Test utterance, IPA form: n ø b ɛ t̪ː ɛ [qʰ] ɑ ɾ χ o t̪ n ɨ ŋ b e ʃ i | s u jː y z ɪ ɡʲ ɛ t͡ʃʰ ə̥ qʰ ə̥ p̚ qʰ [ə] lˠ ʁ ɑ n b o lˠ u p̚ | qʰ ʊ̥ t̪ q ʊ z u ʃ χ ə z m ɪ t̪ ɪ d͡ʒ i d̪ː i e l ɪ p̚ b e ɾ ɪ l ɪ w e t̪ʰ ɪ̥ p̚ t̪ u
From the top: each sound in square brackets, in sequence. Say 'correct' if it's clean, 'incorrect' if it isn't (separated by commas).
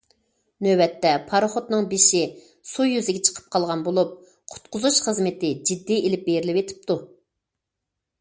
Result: incorrect, incorrect